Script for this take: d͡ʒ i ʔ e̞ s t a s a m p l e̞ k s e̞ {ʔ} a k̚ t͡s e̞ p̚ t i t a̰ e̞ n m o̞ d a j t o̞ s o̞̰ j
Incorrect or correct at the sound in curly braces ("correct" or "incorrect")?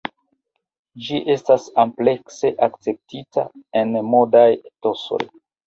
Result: correct